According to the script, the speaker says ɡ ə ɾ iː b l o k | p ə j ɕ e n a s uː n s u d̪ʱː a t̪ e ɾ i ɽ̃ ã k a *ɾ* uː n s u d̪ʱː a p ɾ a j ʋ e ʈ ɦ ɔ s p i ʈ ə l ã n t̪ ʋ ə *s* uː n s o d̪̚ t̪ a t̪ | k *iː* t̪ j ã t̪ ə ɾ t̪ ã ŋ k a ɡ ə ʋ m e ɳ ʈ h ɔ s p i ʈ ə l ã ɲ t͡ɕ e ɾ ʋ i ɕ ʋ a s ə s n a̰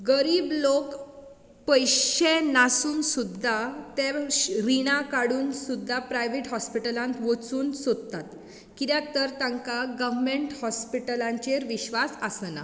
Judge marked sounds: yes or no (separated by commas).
no, no, no